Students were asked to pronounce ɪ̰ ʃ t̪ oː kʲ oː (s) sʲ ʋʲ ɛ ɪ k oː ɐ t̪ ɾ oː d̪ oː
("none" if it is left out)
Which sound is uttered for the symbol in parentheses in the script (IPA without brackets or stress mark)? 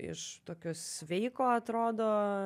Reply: s